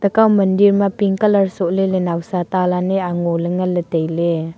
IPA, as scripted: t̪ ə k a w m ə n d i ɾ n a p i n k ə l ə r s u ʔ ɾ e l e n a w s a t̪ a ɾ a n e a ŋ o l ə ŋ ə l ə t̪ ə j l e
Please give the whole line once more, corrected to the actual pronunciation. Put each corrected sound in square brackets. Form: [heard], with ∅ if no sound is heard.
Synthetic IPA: t̪ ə k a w m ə n d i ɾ [m] a p i [ŋ] k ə l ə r s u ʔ [l] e l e n a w s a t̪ a [l] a n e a ŋ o l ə ŋ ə l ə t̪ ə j l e